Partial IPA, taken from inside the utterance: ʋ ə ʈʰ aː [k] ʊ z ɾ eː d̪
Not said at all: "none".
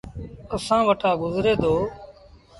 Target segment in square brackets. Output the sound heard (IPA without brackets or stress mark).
ɡ